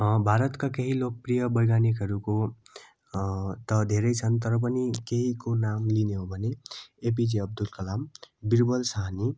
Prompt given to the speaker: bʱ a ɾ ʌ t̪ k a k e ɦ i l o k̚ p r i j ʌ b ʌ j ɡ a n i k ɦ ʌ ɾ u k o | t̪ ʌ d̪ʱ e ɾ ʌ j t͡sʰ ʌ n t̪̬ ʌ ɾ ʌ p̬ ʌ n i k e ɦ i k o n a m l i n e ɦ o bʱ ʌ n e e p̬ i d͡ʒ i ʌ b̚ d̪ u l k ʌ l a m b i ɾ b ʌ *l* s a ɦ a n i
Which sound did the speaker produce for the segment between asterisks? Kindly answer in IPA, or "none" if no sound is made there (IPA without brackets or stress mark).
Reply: l